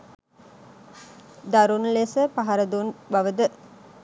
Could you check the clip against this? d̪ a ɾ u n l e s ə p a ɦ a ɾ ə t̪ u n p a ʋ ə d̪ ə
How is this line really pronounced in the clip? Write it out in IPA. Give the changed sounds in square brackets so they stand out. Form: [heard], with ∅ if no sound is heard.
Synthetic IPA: d̪ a ɾ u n l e s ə p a ɦ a ɾ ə [d̪] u n [b] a ʋ ə d̪ ə